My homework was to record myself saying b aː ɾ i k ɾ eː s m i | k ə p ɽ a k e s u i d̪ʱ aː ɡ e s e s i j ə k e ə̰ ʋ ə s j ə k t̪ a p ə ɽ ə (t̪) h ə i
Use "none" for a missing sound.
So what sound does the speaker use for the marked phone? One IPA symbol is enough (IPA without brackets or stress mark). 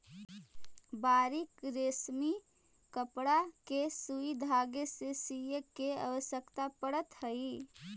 t̪